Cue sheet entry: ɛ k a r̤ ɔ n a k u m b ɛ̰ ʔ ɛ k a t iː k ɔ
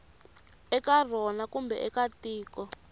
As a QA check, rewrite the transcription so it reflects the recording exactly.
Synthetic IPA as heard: ɛ k a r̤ ɔ n a k u m b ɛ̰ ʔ ɛ k a t iː k ɔ